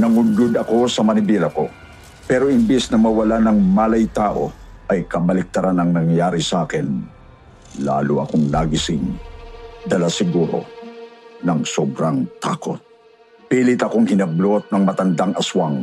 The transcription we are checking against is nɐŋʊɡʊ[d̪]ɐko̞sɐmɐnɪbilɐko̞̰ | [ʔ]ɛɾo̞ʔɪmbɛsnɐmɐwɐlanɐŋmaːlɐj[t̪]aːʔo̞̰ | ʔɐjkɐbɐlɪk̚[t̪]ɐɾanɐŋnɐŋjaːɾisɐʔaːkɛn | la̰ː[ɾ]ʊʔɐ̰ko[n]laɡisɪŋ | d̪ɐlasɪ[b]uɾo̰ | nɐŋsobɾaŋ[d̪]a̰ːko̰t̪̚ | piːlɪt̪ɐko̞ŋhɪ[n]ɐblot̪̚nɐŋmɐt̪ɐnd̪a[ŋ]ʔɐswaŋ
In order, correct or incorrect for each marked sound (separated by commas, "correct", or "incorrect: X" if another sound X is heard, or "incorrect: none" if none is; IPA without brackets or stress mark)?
correct, incorrect: p, correct, correct, incorrect: l, incorrect: ŋ, incorrect: ɡ, incorrect: t̪, correct, correct